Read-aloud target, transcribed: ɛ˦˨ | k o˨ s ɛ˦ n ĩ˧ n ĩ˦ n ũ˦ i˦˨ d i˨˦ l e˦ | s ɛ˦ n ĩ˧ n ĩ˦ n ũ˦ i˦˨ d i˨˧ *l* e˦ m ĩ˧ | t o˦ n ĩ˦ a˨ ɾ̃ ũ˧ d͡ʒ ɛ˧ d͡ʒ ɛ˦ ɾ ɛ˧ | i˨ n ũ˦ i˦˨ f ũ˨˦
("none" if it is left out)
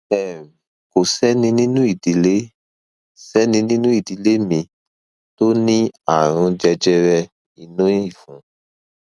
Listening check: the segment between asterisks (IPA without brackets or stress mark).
l